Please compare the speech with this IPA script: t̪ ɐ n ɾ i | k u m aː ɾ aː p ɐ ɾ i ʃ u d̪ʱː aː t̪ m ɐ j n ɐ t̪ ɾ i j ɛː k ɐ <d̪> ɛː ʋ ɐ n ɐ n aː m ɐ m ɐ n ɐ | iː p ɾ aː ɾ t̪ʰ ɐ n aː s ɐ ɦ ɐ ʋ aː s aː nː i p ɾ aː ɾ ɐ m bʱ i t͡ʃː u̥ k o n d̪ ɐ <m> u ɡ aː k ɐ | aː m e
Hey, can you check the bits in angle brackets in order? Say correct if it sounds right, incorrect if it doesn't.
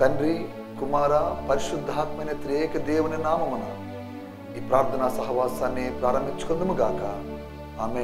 correct, correct

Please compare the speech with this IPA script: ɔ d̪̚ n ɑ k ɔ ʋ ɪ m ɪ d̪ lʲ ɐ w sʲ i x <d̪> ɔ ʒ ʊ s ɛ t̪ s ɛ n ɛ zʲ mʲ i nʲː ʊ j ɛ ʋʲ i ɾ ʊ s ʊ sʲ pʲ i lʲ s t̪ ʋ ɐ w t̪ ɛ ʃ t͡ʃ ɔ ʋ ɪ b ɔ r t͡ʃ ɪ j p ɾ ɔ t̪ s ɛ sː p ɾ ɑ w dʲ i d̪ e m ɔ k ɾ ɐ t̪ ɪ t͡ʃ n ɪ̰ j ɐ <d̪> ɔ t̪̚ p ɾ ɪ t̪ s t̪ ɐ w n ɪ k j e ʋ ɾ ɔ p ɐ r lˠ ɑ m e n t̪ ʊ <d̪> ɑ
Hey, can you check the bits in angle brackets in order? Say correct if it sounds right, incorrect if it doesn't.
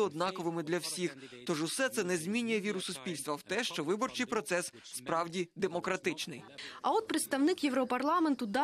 incorrect: t̪, incorrect: none, correct

